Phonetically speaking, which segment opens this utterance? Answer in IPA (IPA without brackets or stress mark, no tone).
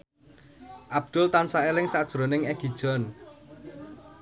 ʔ